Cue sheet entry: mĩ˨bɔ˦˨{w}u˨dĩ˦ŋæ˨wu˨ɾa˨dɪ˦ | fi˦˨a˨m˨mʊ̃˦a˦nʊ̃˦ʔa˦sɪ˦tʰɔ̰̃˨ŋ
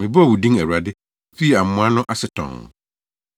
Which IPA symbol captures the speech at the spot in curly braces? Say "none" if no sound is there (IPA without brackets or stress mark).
w